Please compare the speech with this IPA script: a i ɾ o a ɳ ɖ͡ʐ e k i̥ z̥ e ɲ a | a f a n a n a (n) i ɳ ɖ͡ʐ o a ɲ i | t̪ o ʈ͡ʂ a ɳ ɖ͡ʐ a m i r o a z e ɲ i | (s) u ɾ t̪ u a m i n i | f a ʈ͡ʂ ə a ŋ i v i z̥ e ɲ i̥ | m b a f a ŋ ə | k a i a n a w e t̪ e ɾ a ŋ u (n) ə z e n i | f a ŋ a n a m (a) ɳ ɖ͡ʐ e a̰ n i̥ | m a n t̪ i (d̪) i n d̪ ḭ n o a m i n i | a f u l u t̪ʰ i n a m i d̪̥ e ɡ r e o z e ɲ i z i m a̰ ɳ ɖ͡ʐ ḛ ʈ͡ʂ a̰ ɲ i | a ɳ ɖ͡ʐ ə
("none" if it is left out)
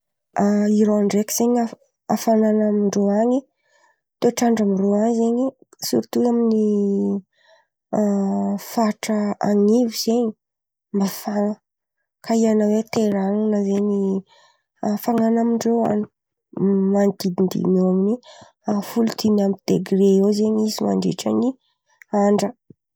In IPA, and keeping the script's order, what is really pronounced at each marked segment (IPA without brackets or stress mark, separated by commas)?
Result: m, s, n, i, d̪